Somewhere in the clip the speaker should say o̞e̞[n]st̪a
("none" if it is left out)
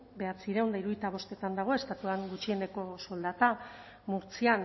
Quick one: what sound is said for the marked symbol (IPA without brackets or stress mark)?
none